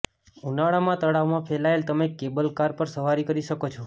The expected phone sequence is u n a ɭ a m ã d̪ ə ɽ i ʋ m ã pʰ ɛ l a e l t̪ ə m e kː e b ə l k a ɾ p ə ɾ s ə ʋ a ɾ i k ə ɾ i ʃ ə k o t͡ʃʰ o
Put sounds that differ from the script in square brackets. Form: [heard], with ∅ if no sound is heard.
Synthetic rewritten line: u n a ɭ a m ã [t̪] ə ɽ [a] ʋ m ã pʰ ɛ l a e l t̪ ə m e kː e b ə l k a ɾ p ə ɾ s ə ʋ a ɾ i k ə ɾ i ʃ ə k o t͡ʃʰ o